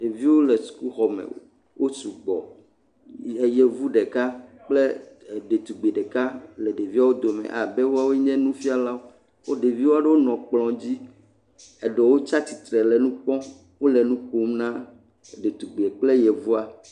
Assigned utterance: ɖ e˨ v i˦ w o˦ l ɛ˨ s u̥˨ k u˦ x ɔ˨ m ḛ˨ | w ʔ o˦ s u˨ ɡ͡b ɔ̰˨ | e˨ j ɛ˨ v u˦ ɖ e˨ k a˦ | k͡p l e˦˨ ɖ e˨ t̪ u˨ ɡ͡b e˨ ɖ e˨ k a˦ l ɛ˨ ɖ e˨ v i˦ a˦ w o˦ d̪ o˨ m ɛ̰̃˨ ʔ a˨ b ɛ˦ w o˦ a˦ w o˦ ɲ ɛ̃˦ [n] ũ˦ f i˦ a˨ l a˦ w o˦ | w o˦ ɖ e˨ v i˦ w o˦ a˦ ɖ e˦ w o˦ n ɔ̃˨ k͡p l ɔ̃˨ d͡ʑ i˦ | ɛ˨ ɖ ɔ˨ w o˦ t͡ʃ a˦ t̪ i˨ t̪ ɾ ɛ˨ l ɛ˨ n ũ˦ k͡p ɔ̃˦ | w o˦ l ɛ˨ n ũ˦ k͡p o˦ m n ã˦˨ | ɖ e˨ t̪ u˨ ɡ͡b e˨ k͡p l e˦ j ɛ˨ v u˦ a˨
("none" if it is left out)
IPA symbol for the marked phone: n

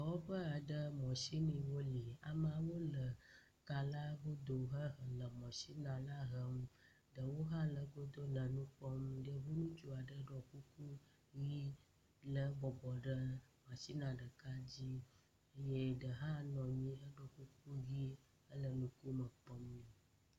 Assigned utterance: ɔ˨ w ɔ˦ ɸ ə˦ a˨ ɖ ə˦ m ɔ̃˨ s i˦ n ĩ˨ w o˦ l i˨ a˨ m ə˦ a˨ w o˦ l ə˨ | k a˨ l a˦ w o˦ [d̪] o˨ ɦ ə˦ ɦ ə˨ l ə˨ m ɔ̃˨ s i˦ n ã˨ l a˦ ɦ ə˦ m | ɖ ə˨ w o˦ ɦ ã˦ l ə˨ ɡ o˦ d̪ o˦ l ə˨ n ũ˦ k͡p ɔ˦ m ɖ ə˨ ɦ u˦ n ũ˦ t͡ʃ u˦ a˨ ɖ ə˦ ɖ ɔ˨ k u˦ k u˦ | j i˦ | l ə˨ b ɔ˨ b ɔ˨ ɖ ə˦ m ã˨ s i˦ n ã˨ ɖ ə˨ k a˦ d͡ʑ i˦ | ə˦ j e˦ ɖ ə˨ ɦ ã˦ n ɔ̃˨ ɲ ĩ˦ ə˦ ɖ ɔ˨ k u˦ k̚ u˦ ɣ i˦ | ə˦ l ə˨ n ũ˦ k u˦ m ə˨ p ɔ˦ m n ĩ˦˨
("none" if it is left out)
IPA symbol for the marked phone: d̪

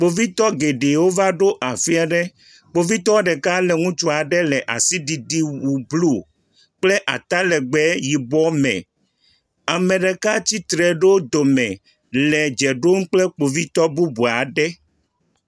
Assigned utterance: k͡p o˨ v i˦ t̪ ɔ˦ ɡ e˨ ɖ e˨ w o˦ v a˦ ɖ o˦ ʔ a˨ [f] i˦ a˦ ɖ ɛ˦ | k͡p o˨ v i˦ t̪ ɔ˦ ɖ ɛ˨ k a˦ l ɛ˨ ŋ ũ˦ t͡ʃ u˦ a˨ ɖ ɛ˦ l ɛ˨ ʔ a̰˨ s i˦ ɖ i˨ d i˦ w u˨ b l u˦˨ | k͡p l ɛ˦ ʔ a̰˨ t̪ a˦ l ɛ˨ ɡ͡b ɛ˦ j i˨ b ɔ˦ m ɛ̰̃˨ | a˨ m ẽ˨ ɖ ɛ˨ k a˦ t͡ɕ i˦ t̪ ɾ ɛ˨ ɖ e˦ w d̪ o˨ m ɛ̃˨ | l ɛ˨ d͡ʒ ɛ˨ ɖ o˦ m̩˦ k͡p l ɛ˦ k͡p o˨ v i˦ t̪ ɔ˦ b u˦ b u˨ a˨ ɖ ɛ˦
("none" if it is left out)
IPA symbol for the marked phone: f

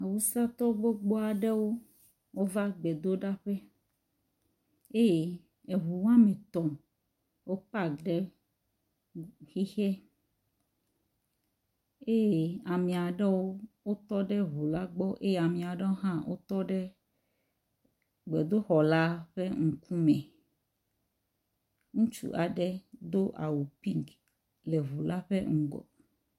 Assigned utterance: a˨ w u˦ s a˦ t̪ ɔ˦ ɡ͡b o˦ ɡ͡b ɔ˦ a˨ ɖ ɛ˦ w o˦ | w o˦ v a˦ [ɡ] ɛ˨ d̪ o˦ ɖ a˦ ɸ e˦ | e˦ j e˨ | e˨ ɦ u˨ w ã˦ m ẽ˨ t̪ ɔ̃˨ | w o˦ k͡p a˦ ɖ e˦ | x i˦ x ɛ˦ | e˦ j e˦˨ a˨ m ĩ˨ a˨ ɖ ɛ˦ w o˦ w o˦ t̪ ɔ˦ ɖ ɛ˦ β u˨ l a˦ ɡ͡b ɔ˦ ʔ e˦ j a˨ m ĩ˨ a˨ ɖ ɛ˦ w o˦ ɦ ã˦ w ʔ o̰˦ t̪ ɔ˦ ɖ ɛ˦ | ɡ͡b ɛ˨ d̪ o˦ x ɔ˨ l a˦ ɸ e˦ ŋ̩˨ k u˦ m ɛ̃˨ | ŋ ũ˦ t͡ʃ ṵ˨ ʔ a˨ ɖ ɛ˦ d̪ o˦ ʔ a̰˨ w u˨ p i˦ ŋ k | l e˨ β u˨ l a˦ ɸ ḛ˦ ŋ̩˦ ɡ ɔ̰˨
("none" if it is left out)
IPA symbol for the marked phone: ɡ͡b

